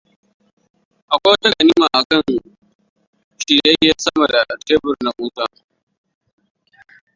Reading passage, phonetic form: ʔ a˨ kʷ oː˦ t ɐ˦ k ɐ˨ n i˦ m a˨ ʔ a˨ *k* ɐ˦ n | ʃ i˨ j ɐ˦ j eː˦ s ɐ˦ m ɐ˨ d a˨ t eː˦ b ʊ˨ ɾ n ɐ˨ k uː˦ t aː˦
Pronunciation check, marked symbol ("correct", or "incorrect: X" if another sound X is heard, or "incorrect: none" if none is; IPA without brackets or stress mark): correct